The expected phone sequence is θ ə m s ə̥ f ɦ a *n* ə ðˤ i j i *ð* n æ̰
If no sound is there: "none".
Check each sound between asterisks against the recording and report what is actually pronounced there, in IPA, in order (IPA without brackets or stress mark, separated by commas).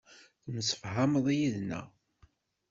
m, ð